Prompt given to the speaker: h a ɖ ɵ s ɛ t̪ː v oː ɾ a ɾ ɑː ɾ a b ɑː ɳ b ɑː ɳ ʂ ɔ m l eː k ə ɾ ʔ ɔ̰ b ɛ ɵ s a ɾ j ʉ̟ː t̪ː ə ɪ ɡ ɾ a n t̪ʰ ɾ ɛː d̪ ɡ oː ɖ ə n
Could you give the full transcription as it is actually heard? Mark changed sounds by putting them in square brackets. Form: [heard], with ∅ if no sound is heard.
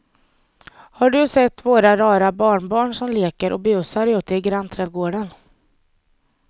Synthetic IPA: h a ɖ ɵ s ɛ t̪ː v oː ɾ a ɾ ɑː ɾ a b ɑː ɳ b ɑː ɳ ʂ ɔ m l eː k ə ɾ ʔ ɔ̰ b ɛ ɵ s a ɾ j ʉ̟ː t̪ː ə ɪ ɡ ɾ a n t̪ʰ ɾ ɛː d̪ ɡ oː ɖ ə n